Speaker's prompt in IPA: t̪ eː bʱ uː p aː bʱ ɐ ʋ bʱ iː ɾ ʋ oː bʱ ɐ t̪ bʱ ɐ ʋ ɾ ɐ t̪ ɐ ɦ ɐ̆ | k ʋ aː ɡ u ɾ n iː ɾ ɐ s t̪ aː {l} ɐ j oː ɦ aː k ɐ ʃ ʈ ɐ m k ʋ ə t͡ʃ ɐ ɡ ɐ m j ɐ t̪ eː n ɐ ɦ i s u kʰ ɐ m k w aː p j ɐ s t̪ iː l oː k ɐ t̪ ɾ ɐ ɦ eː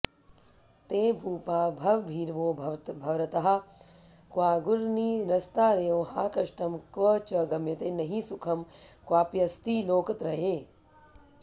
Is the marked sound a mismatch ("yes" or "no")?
yes